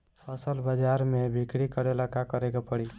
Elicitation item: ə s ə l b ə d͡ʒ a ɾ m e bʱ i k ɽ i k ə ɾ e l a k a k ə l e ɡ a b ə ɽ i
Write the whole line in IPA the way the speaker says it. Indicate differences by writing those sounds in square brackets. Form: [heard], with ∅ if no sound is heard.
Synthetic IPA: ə s ə l b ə d͡ʒ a ɾ m e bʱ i k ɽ i k ə ɾ e l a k a k ə [ɾ] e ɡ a [p] ə ɽ i